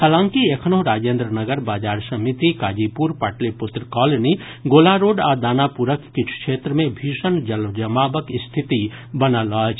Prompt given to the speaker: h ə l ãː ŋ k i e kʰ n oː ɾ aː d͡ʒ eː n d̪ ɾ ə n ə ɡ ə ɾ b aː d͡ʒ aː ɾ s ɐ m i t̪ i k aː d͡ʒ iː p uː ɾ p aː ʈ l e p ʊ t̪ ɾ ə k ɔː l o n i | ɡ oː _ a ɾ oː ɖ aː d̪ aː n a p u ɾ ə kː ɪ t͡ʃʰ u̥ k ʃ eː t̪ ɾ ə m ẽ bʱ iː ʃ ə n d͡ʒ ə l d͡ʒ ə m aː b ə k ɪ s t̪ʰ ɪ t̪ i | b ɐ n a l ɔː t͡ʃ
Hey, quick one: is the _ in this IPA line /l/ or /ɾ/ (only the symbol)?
l